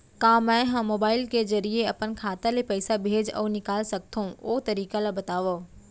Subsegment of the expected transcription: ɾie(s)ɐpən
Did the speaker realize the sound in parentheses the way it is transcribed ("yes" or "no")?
no